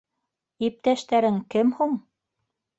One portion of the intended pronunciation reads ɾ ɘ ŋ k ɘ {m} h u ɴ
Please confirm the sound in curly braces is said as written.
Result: yes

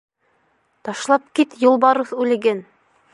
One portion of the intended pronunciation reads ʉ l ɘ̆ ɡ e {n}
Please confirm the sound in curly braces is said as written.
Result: yes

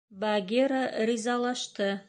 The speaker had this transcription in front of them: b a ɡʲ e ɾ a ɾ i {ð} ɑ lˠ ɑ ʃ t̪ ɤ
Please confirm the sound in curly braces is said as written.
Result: no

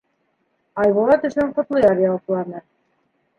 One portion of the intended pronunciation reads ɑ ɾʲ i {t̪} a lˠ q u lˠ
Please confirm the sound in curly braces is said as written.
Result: no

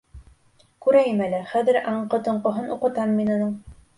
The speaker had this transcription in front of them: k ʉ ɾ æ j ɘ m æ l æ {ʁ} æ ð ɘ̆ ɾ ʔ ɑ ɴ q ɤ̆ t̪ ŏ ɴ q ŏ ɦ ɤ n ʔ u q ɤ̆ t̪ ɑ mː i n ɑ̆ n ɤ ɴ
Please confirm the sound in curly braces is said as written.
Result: no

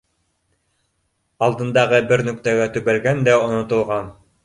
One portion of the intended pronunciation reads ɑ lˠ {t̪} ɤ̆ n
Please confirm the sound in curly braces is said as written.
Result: no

